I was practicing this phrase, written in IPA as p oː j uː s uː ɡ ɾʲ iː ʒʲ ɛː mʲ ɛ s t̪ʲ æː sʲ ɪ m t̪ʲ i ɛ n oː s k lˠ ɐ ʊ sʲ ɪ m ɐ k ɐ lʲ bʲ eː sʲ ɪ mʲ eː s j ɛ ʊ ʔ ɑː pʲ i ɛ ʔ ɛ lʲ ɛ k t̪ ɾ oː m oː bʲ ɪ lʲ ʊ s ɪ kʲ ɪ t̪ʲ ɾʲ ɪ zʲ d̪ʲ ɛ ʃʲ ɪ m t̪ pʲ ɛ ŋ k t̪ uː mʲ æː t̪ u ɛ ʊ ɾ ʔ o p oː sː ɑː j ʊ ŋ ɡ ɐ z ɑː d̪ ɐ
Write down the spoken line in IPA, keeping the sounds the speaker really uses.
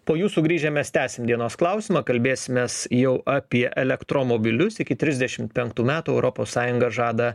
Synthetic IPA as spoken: p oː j uː s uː ɡ ɾʲ iː ʒʲ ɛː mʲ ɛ s t̪ʲ æː sʲ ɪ m d̪ʲ i ɛ n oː s k lˠ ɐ ʊ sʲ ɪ m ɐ k ɐ lʲ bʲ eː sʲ ɪ mʲ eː s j ɛ ʊ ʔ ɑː pʲ i ɛ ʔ ɛ lʲ ɛ k t̪ ɾ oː m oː bʲ ɪ lʲ ʊ s ɪ kʲ ɪ t̪ʲ ɾʲ ɪ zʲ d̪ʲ ɛ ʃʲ ɪ m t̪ pʲ ɛ ŋ k t̪ uː mʲ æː t̪ u ɛ ʊ ɾ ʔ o p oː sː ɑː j ʊ ŋ ɡ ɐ ʒ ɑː d̪ ɐ